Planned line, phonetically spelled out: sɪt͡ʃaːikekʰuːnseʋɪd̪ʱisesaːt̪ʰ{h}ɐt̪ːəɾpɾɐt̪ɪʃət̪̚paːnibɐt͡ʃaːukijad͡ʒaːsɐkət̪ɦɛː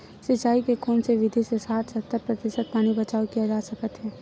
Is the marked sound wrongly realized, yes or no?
yes